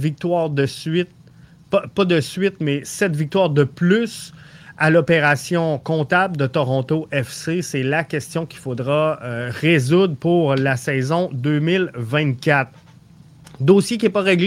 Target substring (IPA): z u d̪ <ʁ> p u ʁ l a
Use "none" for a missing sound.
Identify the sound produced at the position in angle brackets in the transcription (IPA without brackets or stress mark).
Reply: ʁ